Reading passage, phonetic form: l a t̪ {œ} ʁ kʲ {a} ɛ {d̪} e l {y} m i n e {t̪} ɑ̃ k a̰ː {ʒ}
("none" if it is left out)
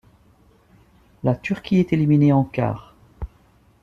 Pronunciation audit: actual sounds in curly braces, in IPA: y, i, t̪, i, none, ʁ

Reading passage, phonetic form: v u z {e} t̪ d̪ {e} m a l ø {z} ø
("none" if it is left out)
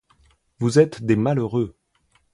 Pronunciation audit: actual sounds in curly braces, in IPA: ɛ, e, ʁ

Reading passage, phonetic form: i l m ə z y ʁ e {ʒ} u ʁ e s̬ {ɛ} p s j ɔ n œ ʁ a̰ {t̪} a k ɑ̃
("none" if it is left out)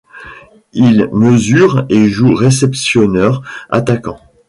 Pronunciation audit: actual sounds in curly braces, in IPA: ʒ, ɛ, t̪

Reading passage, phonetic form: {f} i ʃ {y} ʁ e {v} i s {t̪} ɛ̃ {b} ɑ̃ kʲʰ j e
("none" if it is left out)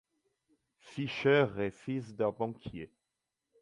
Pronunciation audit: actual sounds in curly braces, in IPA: f, œ, f, d̪, b

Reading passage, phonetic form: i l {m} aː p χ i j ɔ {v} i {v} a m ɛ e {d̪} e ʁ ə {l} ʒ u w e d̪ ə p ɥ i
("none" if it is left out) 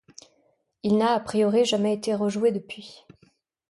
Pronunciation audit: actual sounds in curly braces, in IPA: n, ʁ, ʒ, t̪, none

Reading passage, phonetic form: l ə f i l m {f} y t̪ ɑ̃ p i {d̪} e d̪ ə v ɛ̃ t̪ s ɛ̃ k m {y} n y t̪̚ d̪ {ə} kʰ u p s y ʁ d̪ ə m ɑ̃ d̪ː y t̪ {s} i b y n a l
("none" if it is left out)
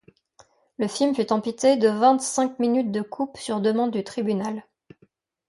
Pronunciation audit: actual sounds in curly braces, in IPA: f, t̪, i, ə, χ

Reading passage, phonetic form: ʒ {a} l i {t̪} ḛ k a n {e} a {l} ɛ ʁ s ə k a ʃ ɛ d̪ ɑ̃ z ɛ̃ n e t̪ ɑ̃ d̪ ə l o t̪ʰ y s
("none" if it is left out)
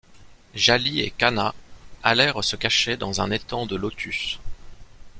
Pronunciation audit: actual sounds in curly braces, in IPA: a, none, a, l

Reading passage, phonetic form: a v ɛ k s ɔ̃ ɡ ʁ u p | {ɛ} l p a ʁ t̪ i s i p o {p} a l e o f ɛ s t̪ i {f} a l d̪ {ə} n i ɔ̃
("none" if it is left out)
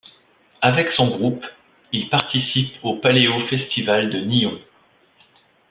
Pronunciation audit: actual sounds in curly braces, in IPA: i, p, v, ə

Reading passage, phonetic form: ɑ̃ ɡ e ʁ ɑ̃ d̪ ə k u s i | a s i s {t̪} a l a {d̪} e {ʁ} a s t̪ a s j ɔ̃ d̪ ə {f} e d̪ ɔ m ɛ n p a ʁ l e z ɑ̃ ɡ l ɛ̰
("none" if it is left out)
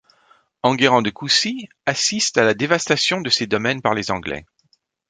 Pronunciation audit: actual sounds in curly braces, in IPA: t̪, d̪, v, s

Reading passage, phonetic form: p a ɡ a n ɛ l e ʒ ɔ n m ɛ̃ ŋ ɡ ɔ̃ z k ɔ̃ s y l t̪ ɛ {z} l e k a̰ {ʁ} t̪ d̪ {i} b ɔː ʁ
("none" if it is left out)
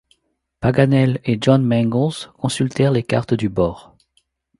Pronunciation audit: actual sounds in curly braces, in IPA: ʁ, ʁ, y

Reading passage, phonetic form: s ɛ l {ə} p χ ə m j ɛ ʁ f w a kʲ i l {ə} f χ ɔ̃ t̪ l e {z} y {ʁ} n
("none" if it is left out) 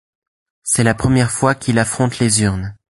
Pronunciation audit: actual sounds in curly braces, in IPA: a, a, z, ʁ

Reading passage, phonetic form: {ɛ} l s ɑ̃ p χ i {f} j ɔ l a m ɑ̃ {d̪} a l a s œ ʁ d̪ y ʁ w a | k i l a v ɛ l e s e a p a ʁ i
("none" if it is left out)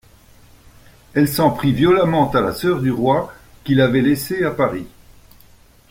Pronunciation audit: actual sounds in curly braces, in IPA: ɛ, v, t̪

